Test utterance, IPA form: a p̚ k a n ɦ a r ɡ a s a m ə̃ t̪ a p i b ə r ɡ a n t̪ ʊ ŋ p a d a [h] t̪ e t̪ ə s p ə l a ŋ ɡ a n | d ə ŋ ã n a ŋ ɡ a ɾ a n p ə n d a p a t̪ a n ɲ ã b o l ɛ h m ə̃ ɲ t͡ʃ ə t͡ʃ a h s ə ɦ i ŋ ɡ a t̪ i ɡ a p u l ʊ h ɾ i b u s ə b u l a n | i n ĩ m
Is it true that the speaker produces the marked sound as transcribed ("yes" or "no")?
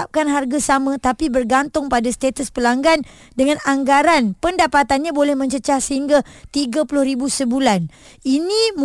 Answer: no